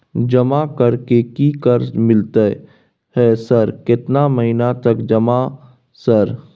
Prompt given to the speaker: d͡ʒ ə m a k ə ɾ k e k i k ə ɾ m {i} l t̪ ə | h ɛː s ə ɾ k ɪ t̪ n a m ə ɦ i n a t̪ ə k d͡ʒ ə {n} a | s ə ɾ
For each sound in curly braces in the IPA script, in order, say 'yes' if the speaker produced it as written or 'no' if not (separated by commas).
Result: no, no